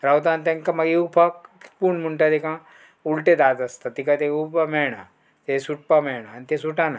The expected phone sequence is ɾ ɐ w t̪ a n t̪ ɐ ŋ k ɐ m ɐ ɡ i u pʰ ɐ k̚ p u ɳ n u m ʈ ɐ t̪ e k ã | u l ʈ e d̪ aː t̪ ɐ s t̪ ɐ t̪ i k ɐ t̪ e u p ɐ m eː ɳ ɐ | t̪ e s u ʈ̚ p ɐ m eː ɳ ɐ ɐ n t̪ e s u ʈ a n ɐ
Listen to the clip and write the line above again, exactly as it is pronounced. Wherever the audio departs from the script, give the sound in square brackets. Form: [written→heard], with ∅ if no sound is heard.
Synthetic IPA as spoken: ɾ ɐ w t̪ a n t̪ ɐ ŋ k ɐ m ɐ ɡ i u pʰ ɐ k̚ p u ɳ [n→m] u [m→ɳ] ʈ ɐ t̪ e k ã | u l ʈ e d̪ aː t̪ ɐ s t̪ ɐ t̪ i k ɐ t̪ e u p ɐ m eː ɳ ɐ | t̪ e s u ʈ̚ p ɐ m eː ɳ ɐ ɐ n t̪ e s u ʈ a n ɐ